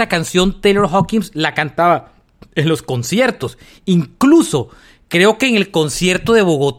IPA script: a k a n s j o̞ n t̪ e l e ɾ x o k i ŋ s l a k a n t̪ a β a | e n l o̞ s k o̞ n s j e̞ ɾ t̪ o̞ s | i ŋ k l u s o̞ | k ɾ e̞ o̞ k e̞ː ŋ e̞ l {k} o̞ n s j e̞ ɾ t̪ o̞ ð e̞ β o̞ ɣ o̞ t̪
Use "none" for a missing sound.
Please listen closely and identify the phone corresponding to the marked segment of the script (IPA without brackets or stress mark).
k